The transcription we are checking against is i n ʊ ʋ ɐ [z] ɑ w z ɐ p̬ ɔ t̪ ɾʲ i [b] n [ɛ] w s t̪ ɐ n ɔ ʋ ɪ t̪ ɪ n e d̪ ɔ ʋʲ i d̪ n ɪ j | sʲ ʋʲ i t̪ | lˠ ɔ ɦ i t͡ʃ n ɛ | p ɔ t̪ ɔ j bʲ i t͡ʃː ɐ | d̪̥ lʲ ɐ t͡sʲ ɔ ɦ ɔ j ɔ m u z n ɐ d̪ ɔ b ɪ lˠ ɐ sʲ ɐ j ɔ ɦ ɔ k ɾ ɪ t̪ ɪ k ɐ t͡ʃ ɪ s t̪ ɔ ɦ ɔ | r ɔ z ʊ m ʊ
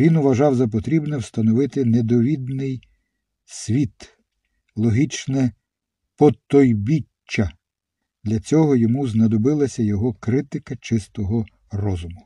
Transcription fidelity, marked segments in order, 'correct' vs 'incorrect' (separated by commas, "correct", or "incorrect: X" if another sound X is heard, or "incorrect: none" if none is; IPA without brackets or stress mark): incorrect: ʒ, correct, correct